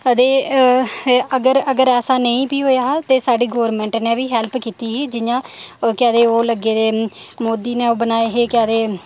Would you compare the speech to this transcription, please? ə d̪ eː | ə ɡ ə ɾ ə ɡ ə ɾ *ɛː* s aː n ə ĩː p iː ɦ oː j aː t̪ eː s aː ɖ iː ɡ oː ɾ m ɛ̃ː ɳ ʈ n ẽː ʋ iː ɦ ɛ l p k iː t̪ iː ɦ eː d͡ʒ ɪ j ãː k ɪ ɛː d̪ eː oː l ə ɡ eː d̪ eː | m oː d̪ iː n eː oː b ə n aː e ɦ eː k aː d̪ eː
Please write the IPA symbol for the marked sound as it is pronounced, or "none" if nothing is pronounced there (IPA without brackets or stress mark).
ɛː